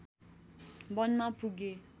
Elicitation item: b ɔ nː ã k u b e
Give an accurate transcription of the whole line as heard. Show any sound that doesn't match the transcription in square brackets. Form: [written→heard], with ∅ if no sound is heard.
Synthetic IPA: b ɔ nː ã [k→p] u [b→ɡ] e